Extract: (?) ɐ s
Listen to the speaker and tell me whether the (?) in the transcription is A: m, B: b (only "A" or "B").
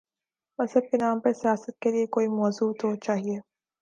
A